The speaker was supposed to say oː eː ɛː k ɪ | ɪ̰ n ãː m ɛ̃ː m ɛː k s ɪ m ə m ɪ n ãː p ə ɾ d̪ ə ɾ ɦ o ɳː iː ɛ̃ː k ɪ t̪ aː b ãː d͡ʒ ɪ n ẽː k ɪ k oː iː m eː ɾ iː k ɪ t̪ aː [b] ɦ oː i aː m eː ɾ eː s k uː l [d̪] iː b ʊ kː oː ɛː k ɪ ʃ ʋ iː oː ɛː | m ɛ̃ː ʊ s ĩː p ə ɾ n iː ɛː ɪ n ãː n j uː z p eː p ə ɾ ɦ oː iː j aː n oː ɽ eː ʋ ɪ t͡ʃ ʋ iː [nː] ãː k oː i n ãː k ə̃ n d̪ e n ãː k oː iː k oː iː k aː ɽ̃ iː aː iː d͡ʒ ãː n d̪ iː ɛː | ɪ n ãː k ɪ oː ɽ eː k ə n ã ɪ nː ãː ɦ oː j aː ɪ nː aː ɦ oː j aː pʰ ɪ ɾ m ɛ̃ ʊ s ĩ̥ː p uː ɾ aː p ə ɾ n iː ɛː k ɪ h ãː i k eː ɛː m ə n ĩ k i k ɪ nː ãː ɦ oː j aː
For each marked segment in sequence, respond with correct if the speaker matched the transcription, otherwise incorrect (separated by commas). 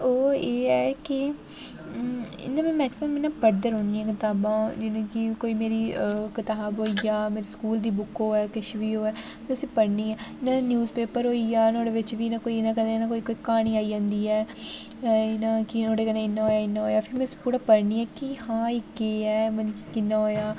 correct, correct, incorrect